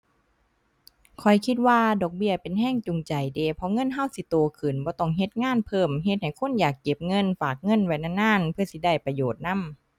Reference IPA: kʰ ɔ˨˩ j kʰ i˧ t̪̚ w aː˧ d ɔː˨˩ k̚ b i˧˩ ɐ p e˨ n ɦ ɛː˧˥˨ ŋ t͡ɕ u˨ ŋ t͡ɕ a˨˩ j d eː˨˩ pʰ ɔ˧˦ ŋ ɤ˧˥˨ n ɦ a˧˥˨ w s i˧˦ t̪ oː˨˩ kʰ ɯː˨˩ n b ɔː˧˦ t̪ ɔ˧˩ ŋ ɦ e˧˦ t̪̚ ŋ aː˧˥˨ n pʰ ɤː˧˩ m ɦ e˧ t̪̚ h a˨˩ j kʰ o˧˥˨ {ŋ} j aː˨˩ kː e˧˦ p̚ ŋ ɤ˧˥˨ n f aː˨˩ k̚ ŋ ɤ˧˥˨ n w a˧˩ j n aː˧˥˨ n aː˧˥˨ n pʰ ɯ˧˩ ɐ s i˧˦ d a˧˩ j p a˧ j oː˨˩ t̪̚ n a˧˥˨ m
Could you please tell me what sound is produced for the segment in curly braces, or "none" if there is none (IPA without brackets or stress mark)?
n